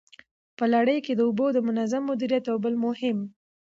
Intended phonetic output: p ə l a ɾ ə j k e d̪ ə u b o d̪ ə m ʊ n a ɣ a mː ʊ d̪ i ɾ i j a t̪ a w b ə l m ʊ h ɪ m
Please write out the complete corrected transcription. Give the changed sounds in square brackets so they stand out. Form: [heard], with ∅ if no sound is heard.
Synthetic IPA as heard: p ə l a [ɽ] ə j k e d̪ ə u b o d̪ ə m ʊ n a [z] a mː ʊ d̪ i ɾ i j a t̪ a w b ə l m ʊ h ɪ m